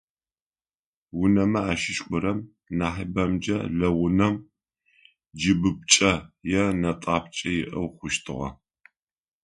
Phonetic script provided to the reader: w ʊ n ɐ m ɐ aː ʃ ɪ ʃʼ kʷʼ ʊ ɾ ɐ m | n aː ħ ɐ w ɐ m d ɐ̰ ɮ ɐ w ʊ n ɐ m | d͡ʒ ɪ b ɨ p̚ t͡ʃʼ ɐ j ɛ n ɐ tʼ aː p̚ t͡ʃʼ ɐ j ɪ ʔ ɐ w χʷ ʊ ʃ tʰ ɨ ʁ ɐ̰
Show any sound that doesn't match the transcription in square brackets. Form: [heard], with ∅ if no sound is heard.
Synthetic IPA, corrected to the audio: w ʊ n ɐ m ɐ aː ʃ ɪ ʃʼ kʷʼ ʊ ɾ ɐ m | n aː ħ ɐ [b] ɐ m [d͡ʒ] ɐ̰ ɮ ɐ w ʊ n ɐ m | d͡ʒ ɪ b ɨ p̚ t͡ʃʼ ɐ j ɛ n ɐ tʼ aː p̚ t͡ʃʼ ɐ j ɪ ʔ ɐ w χʷ ʊ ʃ tʰ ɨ ʁ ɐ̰